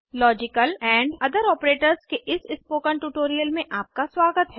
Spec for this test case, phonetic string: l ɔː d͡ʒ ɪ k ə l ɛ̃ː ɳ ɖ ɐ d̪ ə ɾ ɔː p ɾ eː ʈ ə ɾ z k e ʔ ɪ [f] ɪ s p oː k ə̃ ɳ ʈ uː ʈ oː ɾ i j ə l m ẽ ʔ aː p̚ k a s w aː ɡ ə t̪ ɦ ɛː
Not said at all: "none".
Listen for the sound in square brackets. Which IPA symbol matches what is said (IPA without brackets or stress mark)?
s